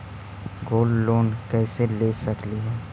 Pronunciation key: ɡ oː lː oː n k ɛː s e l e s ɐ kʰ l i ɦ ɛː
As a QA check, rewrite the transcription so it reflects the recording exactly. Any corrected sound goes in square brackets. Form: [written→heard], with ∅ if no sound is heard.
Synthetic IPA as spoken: ɡ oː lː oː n k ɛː s e l e s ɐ [kʰ→k] l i ɦ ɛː

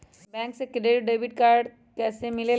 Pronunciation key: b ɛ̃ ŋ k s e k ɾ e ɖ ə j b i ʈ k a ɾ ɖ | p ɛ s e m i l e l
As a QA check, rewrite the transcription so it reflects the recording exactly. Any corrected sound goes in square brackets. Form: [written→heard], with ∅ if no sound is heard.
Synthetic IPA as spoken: b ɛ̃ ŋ k s e k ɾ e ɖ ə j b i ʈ k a ɾ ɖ | [p→k] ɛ s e m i l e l

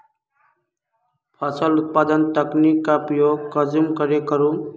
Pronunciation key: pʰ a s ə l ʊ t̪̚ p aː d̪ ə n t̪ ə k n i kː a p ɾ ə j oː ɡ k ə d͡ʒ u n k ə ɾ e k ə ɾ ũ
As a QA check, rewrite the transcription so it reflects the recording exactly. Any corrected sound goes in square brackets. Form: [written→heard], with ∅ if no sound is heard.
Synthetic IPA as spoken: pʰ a s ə l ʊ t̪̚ p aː d̪ ə n t̪ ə k n i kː a p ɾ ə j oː ɡ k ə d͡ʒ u [n→m] k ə ɾ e k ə ɾ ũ

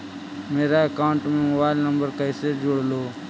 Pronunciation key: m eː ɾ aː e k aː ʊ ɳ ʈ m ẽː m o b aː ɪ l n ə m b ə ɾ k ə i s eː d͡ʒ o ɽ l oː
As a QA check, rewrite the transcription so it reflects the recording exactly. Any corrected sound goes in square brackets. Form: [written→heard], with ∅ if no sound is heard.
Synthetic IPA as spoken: m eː ɾ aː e k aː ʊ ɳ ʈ m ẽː m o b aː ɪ l n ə m b ə ɾ k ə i s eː d͡ʒ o ɽ l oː

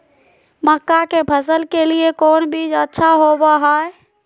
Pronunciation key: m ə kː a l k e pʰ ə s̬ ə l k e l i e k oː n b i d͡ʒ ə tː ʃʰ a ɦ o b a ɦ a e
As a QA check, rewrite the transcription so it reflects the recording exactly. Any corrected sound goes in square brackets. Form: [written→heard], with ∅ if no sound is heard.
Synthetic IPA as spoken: m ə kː a [l→∅] k e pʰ ə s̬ ə l k e l i e k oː n b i d͡ʒ ə tː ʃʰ a ɦ o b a ɦ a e

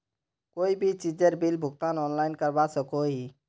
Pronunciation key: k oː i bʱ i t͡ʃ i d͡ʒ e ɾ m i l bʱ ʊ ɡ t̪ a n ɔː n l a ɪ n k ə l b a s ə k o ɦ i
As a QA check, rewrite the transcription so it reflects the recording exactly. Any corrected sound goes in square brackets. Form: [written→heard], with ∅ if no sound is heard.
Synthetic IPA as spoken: k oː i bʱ i t͡ʃ i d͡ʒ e ɾ [m→b] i l bʱ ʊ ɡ t̪ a n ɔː n l a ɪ n k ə [l→ɾ] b a s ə k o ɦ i

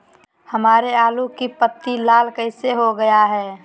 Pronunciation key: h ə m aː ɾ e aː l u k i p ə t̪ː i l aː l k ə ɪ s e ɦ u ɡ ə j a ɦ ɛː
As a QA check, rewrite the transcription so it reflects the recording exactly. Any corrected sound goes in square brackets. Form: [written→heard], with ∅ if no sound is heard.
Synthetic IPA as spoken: h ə m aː ɾ e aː l u k i p ə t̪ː i l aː l k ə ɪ s e ɦ [u→o] ɡ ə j a ɦ ɛː

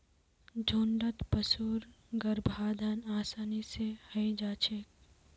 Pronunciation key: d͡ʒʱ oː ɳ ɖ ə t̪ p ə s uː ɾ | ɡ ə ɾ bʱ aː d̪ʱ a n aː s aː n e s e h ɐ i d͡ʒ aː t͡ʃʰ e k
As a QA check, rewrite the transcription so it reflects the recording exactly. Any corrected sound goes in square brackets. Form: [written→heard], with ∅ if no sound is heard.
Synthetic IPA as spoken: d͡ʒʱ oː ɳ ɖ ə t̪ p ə s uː ɾ | ɡ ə ɾ bʱ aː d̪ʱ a n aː s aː n [e→i] s e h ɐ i d͡ʒ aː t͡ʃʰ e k

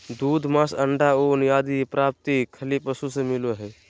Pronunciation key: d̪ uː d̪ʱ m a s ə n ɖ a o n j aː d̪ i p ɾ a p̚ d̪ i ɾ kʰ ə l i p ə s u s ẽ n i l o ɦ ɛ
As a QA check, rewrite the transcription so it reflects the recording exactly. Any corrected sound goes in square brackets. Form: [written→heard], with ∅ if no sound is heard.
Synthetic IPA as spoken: d̪ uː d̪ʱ m a s ə [n→ɳ] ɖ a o n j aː d̪ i p ɾ a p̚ [d̪→t̪] i [ɾ→∅] kʰ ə l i p ə s u s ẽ [n→m] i l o ɦ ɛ

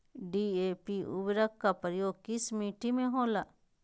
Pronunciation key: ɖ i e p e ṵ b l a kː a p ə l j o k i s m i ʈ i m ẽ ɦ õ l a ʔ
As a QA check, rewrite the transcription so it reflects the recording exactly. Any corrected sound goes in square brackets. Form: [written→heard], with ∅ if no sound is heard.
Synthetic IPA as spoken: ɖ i e p [e→i] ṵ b [l→ɾ] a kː a p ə [l→ɾ] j o k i s m i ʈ i m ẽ ɦ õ l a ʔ

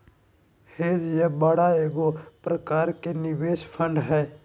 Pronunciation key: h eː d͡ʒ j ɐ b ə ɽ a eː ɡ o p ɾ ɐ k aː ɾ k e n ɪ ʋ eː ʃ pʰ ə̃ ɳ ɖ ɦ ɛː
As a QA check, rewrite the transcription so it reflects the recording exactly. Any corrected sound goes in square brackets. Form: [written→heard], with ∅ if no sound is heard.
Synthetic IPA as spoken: h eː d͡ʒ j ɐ b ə ɽ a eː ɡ o p ɾ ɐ k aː ɾ k e n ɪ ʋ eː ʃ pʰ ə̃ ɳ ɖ ɦ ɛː

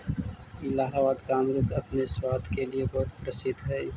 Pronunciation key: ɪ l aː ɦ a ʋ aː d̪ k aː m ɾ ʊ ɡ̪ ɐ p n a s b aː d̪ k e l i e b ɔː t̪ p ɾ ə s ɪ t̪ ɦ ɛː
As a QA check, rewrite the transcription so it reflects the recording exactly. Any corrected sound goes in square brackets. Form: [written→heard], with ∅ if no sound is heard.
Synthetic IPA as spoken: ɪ l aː ɦ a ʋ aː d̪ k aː m ɾ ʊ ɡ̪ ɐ p n [a→e] s [b→w] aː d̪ k e l i e b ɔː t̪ p ɾ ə s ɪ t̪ ɦ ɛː

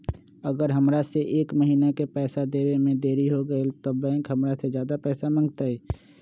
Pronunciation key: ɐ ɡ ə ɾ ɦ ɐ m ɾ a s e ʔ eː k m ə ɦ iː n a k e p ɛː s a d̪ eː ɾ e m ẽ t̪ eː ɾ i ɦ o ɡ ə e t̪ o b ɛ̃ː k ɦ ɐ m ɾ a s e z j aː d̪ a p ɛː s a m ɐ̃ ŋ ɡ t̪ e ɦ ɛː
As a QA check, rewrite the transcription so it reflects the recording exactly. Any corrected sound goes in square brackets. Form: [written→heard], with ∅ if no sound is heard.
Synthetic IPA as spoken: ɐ ɡ ə ɾ ɦ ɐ m ɾ a s e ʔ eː k m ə ɦ iː n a k e p ɛː s a d̪ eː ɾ e m ẽ [t̪→d̪] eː ɾ i ɦ o ɡ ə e t̪ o b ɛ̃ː k ɦ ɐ m ɾ a s e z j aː d̪ a p ɛː s a m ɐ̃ ŋ ɡ t̪ [e→a] ɦ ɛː

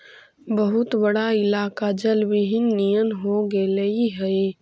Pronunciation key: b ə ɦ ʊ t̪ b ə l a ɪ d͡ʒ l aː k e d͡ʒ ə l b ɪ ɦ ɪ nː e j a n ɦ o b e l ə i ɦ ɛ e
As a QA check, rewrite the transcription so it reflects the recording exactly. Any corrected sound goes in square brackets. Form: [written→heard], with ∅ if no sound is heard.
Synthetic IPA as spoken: b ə ɦ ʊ t̪ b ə [l→ɽ] a ɪ [d͡ʒ→∅] l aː k [e→a] d͡ʒ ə l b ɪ ɦ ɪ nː [e→i] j [a→ə] n ɦ o [b→ɡ] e l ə i ɦ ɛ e

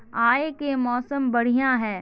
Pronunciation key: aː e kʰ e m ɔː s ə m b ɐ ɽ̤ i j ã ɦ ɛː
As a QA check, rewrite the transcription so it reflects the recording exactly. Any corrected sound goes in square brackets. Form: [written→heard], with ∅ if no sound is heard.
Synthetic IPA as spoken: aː e [kʰ→k] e m ɔː s ə m b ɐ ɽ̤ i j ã ɦ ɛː

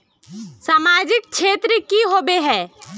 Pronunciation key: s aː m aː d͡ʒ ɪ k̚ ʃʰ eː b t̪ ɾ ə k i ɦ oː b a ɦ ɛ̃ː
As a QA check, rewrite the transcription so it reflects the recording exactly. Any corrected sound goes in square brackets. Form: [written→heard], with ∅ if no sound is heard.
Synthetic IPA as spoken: s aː m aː d͡ʒ ɪ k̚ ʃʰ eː [b→∅] t̪ ɾ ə k i ɦ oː b [a→e] ɦ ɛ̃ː

